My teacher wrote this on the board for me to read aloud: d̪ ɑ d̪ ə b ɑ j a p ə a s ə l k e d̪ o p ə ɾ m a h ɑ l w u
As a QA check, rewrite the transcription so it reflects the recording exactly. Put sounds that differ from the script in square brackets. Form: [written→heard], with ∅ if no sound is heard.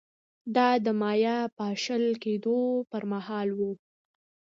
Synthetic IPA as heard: d̪ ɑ d̪ ə [b→m] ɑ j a p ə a [s→ʃ] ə l k e d̪ o p ə ɾ m a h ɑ l w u